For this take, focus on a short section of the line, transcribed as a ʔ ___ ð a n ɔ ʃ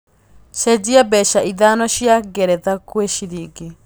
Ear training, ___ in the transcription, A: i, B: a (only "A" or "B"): A